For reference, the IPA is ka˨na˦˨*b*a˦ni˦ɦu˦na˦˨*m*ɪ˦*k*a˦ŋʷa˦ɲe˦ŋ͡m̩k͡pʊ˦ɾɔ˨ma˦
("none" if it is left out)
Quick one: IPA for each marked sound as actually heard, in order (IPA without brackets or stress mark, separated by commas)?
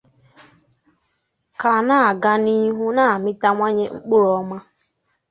ɡ, m, t